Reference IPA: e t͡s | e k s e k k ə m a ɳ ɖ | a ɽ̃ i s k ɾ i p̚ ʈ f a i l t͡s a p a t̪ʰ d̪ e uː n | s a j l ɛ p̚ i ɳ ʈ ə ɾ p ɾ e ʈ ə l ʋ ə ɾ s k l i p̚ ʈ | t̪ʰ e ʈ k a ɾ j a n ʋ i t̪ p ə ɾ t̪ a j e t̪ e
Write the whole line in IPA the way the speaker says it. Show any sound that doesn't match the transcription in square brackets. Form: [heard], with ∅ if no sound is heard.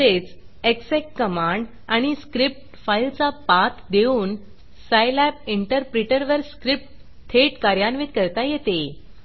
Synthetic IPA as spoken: e t͡s | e k s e k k ə m a ɳ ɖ | a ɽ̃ i s k ɾ i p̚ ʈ f a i l t͡s a p a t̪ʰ d̪ e uː n | s a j l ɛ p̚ i ɳ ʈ ə ɾ p ɾ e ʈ ə [ɾ] ʋ ə ɾ s k [ɾ] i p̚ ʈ | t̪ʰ e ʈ k a ɾ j a n ʋ i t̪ [k] ə ɾ t̪ a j e t̪ e